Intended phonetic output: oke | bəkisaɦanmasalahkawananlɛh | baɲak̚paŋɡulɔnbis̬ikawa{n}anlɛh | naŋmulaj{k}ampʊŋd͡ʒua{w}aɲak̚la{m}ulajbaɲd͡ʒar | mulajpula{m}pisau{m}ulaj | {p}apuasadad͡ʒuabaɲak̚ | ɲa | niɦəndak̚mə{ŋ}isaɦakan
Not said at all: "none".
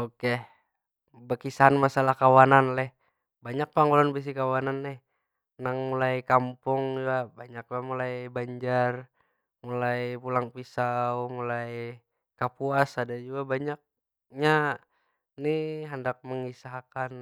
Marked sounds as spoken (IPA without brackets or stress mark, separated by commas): n, k, b, m, ŋ, m, k, ŋ